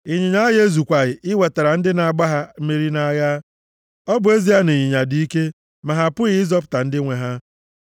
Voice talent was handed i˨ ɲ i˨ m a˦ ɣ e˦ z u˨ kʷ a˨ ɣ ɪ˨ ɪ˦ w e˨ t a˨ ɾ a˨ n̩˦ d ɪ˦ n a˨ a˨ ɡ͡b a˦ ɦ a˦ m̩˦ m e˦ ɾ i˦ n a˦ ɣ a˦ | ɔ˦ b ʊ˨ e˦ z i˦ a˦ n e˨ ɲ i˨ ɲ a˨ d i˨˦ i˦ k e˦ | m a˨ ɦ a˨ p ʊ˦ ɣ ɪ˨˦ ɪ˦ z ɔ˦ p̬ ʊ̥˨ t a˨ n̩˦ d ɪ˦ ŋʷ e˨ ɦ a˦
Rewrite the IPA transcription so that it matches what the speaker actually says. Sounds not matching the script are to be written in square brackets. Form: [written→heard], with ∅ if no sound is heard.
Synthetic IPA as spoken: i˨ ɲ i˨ [m→ɲ] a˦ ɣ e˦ z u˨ kʷ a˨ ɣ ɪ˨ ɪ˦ w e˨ t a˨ ɾ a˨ n̩˦ d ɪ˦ n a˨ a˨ ɡ͡b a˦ ɦ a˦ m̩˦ m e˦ ɾ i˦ n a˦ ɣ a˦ | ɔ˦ b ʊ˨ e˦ z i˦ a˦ n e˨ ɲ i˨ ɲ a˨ d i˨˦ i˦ k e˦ | m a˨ ɦ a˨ p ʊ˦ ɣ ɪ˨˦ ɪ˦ z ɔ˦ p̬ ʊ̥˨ t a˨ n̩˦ d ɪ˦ ŋʷ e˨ ɦ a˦